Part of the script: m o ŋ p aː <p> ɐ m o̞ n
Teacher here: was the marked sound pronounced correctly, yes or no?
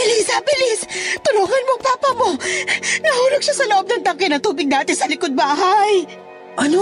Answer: yes